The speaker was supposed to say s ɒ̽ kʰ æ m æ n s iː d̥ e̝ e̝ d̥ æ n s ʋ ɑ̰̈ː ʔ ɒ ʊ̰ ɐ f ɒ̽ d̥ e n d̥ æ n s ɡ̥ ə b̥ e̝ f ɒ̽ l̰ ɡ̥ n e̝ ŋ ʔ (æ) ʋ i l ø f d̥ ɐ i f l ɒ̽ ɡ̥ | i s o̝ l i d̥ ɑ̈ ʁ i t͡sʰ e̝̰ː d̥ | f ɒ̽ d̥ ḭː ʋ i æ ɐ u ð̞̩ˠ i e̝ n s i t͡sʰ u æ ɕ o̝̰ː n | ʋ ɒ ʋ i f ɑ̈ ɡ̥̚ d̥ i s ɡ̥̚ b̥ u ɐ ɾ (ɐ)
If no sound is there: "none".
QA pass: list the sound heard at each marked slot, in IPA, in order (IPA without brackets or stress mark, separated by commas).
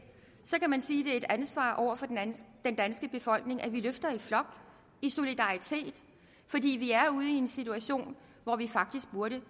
æ, ə